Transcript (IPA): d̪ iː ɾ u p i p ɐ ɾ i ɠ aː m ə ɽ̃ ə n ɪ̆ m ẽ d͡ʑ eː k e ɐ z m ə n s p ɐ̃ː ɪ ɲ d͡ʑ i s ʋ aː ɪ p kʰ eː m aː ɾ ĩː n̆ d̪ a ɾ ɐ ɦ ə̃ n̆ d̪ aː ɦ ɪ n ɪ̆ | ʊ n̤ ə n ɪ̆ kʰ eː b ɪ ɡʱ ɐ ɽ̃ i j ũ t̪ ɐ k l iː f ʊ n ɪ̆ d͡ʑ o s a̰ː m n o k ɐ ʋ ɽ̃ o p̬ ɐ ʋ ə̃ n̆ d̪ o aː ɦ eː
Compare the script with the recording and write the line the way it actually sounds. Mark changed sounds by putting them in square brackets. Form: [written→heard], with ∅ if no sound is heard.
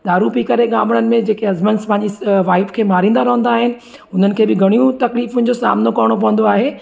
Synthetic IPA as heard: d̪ [iː→aː] ɾ u p i [p→k] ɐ ɾ [i→e] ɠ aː m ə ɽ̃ ə n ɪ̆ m ẽ d͡ʑ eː k e ɐ z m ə n s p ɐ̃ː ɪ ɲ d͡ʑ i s ʋ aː ɪ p kʰ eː m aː ɾ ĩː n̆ d̪ a ɾ ɐ ɦ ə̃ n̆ d̪ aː ɦ ɪ n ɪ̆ | ʊ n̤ ə n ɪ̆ kʰ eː b ɪ ɡʱ ɐ ɽ̃ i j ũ t̪ ɐ k l iː f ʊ n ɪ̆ d͡ʑ o s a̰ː m n o k ɐ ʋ ɽ̃ o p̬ ɐ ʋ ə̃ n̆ d̪ o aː ɦ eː

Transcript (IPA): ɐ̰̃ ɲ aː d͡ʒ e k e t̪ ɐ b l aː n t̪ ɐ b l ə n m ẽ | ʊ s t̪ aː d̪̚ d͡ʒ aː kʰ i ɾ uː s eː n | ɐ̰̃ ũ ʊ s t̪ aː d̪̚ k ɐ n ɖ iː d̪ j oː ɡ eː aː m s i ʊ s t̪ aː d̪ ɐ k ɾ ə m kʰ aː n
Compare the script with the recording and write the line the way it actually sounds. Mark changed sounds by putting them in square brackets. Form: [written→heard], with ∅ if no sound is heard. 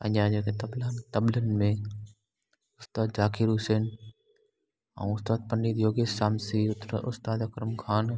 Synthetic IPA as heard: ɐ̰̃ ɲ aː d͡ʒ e k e t̪ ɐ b l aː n t̪ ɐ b l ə n m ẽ | ʊ s t̪ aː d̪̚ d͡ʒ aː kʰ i ɾ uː s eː n | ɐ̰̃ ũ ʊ s t̪ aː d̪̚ [k→p] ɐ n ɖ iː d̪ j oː ɡ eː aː m s i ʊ s t̪ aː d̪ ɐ k ɾ ə m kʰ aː n

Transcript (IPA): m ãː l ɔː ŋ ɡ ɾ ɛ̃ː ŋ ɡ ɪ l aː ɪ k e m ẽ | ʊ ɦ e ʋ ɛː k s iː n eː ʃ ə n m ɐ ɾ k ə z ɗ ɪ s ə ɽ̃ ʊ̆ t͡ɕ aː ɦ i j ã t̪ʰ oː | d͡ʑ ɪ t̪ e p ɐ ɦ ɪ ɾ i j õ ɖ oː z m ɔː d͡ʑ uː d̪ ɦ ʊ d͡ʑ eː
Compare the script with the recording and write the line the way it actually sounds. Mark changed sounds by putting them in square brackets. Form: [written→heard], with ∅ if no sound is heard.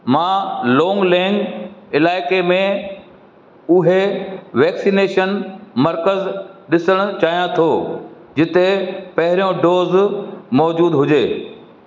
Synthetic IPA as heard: m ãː l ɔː ŋ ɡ [ɾ→l] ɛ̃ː ŋ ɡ ɪ l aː ɪ k e m ẽ | ʊ ɦ e ʋ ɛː k s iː n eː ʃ ə n m ɐ ɾ k ə z ɗ ɪ s ə ɽ̃ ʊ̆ t͡ɕ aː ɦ i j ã t̪ʰ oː | d͡ʑ ɪ t̪ e p ɐ ɦ ɪ ɾ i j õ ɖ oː z m ɔː d͡ʑ uː d̪ ɦ ʊ d͡ʑ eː

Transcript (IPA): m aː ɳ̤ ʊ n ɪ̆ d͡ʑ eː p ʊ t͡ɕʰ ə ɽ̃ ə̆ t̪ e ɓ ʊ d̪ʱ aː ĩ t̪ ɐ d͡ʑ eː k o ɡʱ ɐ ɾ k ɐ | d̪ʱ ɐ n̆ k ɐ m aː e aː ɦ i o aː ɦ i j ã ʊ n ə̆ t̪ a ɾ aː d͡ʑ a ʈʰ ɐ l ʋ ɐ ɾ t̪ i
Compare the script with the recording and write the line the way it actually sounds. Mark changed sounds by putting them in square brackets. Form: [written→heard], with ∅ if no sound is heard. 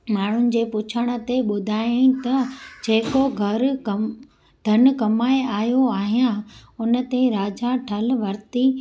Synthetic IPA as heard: m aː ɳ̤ ʊ n ɪ̆ d͡ʑ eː p ʊ t͡ɕʰ ə ɽ̃ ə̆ t̪ e ɓ ʊ d̪ʱ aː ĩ t̪ ɐ d͡ʑ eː k o ɡʱ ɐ ɾ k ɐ | d̪ʱ ɐ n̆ k ɐ m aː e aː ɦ [i→j] o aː ɦ i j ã ʊ n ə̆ t̪ [a→e] ɾ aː d͡ʑ a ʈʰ ɐ l ʋ ɐ ɾ t̪ i

